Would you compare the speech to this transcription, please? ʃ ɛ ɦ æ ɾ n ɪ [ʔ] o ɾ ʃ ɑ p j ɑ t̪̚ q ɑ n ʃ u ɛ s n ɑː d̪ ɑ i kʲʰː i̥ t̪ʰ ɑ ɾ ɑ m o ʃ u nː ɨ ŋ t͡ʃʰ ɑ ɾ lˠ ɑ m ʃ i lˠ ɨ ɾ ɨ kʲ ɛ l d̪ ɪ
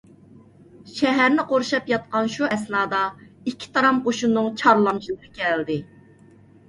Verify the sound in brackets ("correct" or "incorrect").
incorrect